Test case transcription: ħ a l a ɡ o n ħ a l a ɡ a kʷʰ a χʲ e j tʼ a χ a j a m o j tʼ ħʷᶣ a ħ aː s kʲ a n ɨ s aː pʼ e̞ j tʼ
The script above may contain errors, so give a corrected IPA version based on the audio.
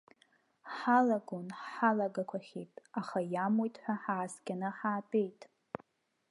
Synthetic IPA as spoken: ħ a l a ɡ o n ħ a l a ɡ a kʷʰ a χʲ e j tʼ a χ a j a m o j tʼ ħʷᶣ a ħ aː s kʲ a n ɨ ħ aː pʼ e̞ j tʼ

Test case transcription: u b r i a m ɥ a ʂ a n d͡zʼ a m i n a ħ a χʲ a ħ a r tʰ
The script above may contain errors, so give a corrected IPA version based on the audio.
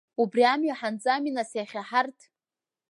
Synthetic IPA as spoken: u b r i a m ɥ a ħ a n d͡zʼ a m i n a s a χʲ a ħ a r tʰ

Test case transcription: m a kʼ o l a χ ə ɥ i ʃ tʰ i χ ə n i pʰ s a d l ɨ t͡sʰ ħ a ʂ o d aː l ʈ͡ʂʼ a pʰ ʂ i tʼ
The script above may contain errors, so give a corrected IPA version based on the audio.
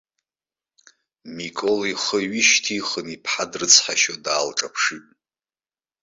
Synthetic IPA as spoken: m i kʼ o l i χ ə ɥ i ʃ tʰ i χ ə n i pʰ ħ a d r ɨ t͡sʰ ħ a ʃ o d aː l ʈ͡ʂʼ a pʰ ʂ i tʼ

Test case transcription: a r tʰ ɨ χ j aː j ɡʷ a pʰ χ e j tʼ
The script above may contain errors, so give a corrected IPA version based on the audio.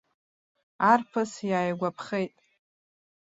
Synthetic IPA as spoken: a r pʰ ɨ s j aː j ɡʷ a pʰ χ e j tʼ

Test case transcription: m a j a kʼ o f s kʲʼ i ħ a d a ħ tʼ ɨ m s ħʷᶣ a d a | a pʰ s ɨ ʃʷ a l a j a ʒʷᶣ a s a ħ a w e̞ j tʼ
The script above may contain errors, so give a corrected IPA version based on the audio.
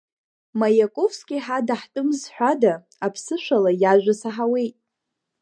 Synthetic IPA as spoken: m a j a kʼ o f s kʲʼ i ħ a d a ħ tʼ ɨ m z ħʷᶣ a d a | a pʰ s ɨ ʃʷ a l a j a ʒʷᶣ a s a ħ a w e̞ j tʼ

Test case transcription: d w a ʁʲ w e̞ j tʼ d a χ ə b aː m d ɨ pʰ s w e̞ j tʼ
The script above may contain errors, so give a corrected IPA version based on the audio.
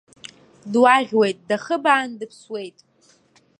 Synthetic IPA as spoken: d w a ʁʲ w e̞ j tʼ d a χ ə b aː n d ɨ pʰ s w e̞ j tʼ

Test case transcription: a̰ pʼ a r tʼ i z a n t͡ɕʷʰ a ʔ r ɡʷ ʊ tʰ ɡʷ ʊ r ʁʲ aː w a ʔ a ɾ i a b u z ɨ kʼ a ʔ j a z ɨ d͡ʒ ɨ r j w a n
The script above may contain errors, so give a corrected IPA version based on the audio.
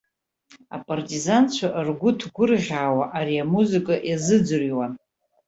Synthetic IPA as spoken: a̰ pʼ a r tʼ i z a n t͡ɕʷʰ a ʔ r ɡʷ ʊ tʰ ɡʷ ʊ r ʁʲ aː w a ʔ a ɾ i a m u z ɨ kʼ a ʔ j a z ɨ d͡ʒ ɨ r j w a n

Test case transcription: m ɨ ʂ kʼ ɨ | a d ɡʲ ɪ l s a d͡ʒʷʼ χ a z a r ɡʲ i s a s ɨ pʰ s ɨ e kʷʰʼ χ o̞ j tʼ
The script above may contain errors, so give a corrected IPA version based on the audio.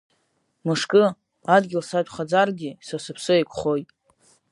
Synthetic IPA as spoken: m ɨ ʂ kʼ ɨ | a d ɡʲ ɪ l s a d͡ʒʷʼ χ a d͡z a r ɡʲ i s a s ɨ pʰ s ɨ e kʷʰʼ χ o̞ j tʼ

